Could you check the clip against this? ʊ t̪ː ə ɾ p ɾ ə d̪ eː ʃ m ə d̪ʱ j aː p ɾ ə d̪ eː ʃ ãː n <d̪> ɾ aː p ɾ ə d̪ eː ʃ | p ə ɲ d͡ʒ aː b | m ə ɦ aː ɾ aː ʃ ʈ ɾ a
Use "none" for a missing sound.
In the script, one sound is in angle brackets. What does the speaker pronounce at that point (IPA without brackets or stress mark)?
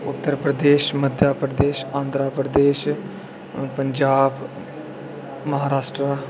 d̪